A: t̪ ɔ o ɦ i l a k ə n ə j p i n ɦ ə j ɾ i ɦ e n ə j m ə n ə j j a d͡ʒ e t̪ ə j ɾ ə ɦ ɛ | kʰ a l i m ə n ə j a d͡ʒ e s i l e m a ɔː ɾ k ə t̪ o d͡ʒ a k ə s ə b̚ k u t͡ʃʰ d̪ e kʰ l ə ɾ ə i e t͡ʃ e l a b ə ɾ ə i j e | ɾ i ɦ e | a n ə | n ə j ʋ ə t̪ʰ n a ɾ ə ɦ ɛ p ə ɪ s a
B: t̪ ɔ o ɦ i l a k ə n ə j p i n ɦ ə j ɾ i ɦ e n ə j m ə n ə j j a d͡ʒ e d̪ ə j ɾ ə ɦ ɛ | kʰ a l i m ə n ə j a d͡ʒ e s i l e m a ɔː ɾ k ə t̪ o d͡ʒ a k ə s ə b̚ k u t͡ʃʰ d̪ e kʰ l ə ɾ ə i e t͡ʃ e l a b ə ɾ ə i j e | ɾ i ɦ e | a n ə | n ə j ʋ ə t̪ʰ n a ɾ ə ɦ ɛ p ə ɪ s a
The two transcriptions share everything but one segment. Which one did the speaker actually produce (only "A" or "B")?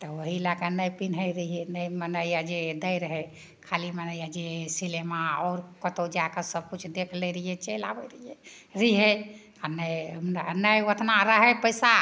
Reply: B